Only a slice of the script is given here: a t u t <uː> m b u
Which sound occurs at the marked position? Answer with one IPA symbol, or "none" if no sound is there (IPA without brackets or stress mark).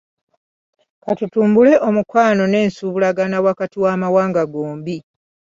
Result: uː